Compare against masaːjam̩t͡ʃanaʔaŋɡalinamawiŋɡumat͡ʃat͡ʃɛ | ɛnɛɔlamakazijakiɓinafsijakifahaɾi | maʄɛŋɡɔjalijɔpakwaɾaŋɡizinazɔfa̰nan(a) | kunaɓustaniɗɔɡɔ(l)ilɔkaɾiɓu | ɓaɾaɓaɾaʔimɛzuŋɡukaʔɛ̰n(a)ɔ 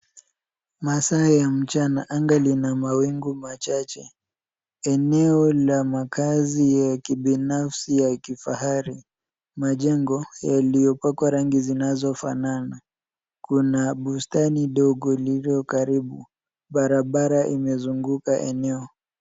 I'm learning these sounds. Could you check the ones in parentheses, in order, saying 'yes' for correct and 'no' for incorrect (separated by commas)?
yes, yes, no